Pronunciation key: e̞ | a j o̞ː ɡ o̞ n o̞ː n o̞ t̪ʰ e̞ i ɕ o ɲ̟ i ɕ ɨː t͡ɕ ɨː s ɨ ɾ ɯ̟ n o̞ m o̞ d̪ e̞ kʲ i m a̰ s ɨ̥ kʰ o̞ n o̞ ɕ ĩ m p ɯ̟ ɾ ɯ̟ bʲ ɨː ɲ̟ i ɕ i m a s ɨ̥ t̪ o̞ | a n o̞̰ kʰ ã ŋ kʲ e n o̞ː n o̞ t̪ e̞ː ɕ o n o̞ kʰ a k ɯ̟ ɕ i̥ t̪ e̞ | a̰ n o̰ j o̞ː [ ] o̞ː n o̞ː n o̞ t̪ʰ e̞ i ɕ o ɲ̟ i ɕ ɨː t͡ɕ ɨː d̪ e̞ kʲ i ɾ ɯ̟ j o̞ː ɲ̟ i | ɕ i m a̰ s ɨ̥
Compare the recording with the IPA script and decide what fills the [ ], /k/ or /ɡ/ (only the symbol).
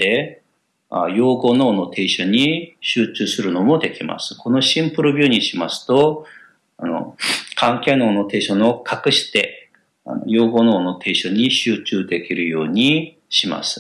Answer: ɡ